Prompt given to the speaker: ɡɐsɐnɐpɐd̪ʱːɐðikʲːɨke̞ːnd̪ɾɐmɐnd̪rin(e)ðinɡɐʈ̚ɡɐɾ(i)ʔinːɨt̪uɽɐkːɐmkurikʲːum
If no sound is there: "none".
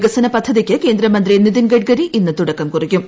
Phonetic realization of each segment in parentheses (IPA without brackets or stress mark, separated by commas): i, i